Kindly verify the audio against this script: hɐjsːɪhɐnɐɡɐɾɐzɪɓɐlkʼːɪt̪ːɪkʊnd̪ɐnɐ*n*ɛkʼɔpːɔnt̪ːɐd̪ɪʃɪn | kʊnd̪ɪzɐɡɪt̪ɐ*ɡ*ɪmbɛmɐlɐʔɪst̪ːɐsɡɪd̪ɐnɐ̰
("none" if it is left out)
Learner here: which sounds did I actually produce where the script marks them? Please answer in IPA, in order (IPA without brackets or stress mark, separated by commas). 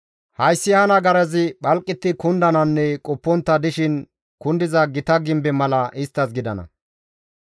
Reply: nː, ɡ